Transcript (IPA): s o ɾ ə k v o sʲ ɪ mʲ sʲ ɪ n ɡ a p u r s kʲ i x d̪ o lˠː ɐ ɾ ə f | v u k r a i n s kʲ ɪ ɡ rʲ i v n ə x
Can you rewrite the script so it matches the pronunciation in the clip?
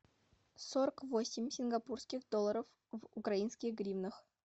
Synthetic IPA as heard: s o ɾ ə k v o sʲ ɪ mʲ sʲ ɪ n ɡ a p u r s kʲ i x d̪ o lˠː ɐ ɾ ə f | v u k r a i n s kʲ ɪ ɡ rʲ i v n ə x